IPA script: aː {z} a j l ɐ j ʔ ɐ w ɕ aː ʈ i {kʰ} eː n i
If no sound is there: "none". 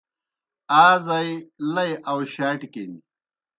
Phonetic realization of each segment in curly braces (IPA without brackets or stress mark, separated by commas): z, k